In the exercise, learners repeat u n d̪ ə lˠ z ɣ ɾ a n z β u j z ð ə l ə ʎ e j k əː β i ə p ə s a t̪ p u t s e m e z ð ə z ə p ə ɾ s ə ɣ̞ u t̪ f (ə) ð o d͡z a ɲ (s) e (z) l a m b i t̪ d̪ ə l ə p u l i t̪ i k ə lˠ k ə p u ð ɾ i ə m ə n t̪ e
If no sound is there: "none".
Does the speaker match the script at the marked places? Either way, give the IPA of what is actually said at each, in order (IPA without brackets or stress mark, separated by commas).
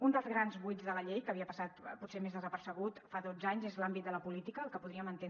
a, z, z